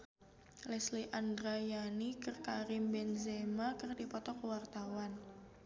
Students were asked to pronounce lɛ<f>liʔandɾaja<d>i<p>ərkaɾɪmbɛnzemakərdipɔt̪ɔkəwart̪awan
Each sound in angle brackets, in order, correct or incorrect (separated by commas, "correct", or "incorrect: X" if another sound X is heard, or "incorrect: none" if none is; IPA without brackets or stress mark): incorrect: s, incorrect: n, incorrect: k